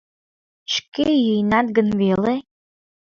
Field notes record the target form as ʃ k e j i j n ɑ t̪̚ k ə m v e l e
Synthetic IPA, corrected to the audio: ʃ k e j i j n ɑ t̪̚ ɡ ə n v e l e